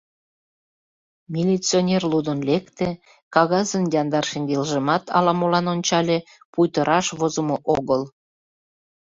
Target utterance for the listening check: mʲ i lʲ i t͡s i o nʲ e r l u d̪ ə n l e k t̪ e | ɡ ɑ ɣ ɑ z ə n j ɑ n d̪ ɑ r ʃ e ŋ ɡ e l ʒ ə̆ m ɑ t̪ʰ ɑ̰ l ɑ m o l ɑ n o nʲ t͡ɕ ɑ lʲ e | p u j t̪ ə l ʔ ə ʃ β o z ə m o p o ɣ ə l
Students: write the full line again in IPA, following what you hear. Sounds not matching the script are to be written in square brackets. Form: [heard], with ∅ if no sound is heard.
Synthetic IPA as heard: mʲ i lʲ i t͡s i o nʲ e r l u d̪ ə n l e k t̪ e | [k] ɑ ɣ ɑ z ə n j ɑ n d̪ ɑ r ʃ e ŋ ɡ e l ʒ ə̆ m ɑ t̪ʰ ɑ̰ l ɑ m o l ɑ n o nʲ t͡ɕ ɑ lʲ e | p u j t̪ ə [ɾ] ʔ [ɑ] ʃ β o z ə m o [ʔ] o ɣ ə l